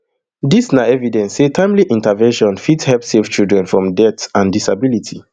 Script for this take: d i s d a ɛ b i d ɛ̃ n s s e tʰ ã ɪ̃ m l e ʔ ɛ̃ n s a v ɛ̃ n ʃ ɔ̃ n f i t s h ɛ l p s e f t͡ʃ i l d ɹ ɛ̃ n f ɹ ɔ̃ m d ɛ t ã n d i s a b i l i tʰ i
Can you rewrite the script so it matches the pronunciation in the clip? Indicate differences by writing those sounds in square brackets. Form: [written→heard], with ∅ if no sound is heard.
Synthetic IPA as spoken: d i s [d→n] a ɛ [b→v] i d ɛ̃ n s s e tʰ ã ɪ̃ m l [e→i] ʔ [ɛ̃→ĩ] n [s→t] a v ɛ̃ n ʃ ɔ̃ n f i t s h ɛ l p s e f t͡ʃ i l d ɹ ɛ̃ n f ɹ ɔ̃ m d ɛ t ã n d i s a b i l i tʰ i